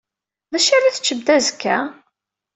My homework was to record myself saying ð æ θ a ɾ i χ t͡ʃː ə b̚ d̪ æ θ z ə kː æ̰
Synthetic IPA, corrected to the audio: ð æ ʃ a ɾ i θ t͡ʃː ə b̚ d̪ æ z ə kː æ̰